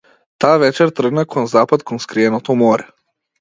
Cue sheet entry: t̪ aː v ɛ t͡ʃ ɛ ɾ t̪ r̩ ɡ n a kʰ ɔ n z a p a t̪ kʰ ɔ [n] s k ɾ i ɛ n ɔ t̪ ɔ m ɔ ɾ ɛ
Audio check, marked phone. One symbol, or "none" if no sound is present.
n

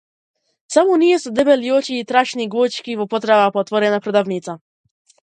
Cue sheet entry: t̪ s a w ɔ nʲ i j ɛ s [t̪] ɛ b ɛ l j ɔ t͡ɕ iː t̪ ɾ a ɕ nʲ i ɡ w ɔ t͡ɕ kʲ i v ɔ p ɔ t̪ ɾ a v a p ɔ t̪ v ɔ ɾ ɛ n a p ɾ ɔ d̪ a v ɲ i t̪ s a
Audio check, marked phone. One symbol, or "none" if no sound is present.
d̪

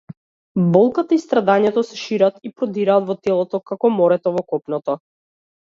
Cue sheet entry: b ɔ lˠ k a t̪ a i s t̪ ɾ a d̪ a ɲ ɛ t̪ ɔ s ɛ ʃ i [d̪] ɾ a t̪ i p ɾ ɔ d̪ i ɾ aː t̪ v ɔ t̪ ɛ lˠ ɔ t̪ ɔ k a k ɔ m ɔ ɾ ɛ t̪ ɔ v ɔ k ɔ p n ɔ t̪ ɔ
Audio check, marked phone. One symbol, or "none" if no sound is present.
none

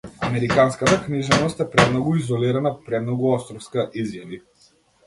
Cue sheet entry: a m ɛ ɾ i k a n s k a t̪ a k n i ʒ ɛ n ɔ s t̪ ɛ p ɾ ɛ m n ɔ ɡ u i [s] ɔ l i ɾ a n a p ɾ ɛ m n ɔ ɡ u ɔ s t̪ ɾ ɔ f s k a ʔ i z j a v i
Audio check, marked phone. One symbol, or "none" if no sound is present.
z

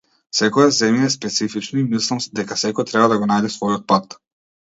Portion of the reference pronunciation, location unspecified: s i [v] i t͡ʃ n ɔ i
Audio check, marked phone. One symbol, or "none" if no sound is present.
f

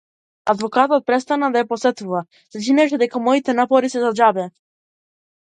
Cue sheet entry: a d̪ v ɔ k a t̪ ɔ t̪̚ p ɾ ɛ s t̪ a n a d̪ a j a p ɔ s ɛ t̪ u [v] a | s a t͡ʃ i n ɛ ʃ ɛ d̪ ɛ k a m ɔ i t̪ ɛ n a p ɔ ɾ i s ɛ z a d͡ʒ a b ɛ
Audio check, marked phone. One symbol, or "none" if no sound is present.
v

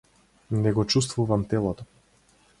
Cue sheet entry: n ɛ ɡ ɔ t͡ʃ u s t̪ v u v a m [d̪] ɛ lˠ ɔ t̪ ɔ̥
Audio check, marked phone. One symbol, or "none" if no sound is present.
t̪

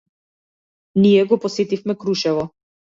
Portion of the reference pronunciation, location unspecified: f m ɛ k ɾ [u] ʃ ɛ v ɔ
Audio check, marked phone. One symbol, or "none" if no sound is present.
u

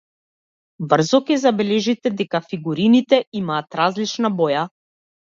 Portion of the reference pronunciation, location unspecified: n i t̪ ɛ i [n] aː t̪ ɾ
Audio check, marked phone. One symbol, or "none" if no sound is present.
m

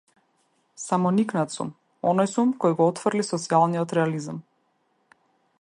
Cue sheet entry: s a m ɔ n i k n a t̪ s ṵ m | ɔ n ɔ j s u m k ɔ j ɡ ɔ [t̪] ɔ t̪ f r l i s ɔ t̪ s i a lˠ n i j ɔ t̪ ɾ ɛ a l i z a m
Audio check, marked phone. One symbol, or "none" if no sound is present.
none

